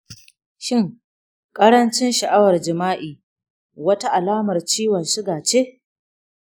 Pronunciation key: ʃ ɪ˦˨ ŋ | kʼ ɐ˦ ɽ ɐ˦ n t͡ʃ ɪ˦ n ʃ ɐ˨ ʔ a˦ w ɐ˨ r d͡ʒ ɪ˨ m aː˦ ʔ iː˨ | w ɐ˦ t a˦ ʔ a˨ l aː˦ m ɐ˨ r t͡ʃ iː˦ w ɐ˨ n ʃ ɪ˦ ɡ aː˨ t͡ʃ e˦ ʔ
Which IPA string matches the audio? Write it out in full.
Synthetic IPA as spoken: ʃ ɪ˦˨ ŋ | kʼ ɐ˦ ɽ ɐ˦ n t͡ʃ ɪ˦ n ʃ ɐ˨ ʔ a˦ w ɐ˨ r d͡ʒ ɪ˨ m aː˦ ʔ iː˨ | w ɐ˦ t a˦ ʔ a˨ l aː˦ m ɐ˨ r t͡ʃ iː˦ w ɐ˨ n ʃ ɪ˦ ɡ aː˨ t͡ʃ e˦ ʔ